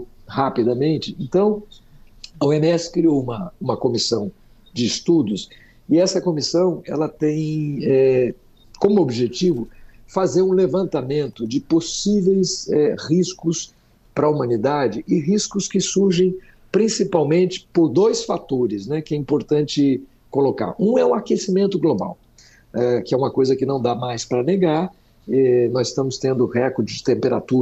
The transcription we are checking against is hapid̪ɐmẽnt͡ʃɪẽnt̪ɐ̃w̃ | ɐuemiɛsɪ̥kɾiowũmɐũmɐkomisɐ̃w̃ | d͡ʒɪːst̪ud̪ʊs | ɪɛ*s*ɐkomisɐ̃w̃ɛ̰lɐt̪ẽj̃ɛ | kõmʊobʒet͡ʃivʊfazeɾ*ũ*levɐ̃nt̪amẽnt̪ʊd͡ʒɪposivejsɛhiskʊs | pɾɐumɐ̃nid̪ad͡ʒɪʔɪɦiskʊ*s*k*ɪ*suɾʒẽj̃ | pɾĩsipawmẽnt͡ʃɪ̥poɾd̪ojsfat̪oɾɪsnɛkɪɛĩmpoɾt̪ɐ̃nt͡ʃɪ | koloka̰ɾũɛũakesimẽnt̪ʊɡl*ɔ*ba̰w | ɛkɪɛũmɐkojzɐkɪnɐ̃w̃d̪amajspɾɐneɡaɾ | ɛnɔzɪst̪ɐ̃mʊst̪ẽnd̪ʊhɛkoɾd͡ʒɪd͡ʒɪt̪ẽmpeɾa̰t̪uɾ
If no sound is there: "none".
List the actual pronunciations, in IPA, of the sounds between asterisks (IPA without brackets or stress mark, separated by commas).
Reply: s, ũ, s, ɪ, o